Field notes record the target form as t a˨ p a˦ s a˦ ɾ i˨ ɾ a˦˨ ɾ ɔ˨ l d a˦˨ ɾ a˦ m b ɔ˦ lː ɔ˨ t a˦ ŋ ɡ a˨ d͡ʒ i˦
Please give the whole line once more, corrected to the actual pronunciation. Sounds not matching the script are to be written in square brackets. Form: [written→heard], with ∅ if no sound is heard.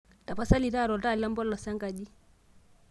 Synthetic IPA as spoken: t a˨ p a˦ s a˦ [ɾ→l] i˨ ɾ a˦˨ ɾ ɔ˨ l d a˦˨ [ɾ→l] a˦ m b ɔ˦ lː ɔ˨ [t→s] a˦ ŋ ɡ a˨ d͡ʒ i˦